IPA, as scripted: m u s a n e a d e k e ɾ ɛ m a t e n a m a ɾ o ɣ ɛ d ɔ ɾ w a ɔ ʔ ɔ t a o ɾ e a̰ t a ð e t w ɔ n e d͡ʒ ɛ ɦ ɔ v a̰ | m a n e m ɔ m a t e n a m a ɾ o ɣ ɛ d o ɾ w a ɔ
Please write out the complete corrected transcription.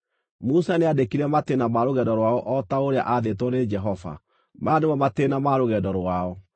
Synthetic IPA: m u s a n e a d e k i ɾ ɛ m a t e n a m a ɾ o ɣ ɛ d ɔ ɾ w a ɔ ʔ ɔ t a o ɾ e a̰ ʔ a ð e t w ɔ n e d͡ʒ ɛ ɦ ɔ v a̰ | m a n e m ɔ m a t e n a m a ɾ o ɣ ɛ d ɔ ɾ w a ɔ